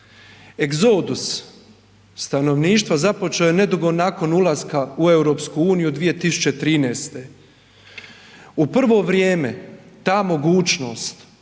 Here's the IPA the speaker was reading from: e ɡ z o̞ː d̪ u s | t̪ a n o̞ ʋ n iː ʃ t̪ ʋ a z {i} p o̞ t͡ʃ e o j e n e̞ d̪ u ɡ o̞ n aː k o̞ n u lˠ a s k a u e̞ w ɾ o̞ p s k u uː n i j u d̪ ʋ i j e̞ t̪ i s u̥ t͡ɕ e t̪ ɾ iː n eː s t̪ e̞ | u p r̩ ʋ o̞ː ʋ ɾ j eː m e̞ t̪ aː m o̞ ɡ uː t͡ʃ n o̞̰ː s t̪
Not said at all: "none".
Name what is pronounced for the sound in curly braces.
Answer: a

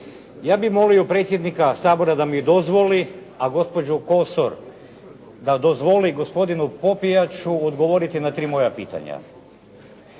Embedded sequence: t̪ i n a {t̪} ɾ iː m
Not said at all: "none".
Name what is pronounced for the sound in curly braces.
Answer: t̪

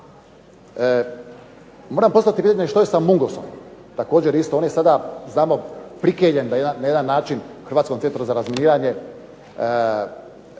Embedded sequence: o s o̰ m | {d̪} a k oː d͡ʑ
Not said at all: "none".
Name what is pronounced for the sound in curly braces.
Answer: t̪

